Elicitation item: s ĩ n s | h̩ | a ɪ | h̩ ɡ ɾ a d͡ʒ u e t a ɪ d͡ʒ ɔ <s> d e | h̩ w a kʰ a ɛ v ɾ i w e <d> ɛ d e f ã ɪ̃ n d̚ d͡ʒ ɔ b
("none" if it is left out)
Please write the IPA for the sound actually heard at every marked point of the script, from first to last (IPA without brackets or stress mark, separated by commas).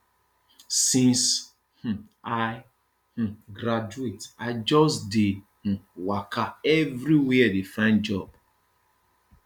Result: s, none